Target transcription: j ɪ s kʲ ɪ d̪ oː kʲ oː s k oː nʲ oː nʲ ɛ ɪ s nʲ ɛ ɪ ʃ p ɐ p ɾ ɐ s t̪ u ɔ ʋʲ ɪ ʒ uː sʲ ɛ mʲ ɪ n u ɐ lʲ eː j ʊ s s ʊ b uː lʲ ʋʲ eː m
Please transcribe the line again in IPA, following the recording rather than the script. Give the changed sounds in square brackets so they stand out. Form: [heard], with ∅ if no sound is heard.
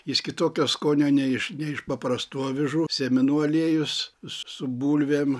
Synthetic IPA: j ɪ s kʲ ɪ [t̪] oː kʲ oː s k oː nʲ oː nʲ ɛ ɪ [ʃ] nʲ ɛ ɪ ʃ p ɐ p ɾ ɐ s t̪ u ɔ ʋʲ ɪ ʒ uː sʲ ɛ mʲ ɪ n u ɐ lʲ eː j ʊ s s ʊ b uː lʲ ʋʲ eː m